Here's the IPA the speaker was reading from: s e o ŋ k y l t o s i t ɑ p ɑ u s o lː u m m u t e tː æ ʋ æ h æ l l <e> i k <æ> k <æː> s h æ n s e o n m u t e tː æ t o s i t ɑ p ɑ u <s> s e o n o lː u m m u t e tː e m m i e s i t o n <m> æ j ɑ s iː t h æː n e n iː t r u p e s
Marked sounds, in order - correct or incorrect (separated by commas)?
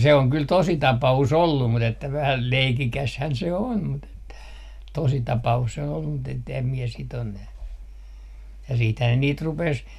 correct, incorrect, incorrect, correct, incorrect